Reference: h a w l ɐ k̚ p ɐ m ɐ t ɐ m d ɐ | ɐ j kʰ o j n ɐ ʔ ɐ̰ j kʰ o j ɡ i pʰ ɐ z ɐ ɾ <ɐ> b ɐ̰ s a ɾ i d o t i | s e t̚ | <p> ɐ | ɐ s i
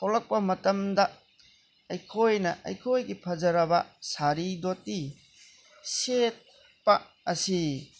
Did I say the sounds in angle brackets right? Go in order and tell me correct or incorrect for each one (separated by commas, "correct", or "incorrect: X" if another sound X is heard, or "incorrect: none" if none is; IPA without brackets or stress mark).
correct, correct